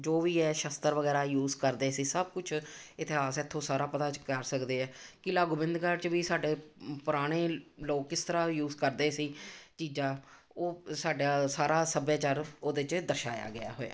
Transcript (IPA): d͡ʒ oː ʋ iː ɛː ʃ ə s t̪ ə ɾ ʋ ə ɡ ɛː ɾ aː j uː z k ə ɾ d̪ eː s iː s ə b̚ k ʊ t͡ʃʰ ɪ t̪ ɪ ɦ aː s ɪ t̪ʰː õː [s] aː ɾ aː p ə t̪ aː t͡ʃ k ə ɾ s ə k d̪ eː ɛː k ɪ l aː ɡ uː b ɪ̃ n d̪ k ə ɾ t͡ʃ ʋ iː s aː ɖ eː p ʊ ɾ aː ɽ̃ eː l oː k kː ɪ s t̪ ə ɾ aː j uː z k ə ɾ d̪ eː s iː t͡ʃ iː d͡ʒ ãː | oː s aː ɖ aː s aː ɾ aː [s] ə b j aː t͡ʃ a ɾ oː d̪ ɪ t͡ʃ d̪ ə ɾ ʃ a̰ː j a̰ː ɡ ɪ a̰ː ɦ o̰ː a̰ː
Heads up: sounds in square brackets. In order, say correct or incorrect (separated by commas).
correct, correct